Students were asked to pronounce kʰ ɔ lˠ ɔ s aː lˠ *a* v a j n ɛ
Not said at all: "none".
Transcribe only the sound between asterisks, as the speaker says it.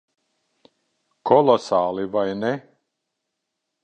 i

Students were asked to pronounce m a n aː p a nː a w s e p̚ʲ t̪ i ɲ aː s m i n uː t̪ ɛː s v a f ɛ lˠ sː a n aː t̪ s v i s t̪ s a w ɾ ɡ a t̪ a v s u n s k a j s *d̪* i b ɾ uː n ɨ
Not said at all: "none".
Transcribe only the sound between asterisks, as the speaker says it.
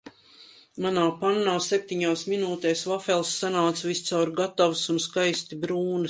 t̪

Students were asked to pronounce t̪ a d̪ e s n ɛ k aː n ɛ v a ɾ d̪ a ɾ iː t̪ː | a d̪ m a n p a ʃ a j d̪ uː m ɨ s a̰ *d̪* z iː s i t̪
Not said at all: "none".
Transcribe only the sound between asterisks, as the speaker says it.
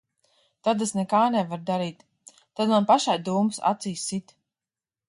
t̪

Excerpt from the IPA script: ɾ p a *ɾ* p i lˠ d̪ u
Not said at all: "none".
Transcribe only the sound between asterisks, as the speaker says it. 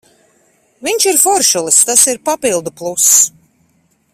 none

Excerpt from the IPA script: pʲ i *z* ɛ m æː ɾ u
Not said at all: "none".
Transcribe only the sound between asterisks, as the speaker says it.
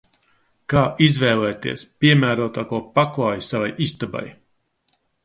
none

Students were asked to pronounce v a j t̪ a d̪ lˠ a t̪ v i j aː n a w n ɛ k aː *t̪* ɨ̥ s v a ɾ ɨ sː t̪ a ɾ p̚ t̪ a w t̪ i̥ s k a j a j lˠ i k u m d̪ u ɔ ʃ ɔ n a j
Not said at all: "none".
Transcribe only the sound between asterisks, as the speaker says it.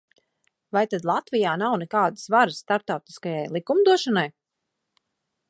d̪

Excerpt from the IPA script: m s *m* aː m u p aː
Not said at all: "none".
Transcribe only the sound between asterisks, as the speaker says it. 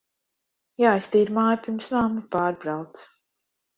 m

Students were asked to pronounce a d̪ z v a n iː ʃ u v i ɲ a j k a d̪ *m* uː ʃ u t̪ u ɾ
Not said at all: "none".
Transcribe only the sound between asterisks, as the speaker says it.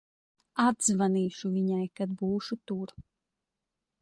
b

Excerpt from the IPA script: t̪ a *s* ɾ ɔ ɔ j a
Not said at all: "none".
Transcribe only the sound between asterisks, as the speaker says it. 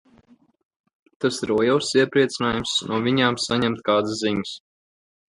s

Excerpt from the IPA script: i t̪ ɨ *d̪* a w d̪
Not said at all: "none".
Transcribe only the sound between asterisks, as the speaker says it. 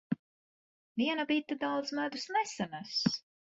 d̪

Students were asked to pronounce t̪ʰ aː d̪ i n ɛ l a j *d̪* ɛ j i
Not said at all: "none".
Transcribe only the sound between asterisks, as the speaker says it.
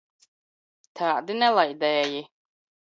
d̪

